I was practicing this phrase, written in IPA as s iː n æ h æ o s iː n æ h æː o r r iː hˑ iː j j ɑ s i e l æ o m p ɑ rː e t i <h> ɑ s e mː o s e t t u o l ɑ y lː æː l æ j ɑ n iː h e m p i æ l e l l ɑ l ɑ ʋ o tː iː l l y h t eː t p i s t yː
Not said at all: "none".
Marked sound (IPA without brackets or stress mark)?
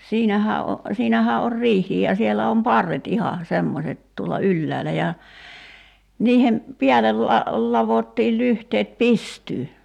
h